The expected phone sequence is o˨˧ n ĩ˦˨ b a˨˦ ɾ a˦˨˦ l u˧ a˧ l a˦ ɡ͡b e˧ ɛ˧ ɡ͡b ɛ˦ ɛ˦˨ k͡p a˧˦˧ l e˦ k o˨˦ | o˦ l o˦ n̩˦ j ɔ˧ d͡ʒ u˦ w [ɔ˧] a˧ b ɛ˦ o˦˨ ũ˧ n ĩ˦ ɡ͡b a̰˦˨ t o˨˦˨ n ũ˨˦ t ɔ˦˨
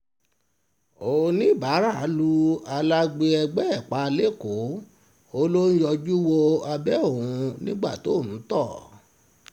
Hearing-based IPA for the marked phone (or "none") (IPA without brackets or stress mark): o˧